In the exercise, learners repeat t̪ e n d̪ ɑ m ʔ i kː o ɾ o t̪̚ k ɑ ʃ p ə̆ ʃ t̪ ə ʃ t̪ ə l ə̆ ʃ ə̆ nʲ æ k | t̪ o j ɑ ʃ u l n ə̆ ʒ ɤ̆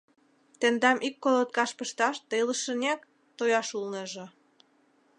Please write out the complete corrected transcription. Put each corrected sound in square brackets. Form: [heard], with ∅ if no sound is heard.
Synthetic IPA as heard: t̪ e n d̪ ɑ m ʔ i kː o [l] o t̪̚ k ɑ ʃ p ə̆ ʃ t̪ [ɑ] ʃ t̪ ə l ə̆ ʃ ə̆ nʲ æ k | t̪ o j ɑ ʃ u l n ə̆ ʒ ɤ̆